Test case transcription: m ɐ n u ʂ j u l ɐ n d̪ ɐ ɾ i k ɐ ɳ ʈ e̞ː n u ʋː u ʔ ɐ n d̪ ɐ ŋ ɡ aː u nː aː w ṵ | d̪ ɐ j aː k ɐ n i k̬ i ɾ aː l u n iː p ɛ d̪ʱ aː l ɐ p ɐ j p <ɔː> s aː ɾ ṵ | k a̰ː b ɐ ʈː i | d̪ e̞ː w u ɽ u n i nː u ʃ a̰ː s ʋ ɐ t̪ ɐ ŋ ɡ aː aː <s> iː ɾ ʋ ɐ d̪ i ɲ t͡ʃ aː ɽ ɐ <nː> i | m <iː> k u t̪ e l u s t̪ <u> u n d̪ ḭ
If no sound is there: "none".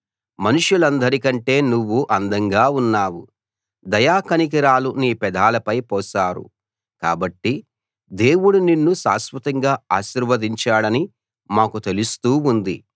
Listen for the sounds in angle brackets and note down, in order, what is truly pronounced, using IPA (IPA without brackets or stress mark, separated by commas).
ɔː, ʃ, n, aː, uː